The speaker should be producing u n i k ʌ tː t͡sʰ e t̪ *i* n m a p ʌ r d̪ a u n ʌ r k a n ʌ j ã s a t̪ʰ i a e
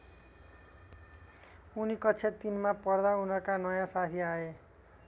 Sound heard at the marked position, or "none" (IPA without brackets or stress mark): i